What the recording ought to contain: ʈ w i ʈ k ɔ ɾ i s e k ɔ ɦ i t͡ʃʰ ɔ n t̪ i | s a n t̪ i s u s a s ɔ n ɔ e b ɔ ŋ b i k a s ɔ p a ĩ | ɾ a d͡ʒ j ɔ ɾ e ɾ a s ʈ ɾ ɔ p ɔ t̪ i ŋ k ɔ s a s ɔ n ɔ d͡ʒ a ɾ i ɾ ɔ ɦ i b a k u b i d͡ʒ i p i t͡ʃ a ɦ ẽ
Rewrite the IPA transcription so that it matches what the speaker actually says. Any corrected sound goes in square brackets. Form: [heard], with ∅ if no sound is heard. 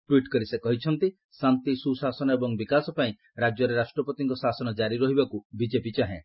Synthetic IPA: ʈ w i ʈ k ɔ ɾ i s e k ɔ ɦ i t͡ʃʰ ɔ n t̪ i | s a n t̪ i s u s a s ɔ n ɔ e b ɔ ŋ b i k a s ɔ p a ĩ | ɾ a d͡ʒ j ɔ ɾ e ɾ a s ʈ ɾ ɔ p ɔ t̪ i ŋ k ɔ s a s ɔ n ɔ d͡ʒ a ɾ i ɾ ɔ ɦ i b a k u b i d͡ʒ [e] p i t͡ʃ a ɦ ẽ